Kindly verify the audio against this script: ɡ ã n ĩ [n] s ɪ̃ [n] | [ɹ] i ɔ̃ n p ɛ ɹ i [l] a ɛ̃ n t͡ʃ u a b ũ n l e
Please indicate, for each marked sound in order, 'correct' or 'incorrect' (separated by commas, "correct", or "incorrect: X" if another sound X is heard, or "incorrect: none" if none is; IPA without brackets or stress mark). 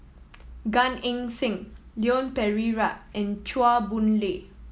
incorrect: ŋ, incorrect: ŋ, incorrect: l, incorrect: ɹ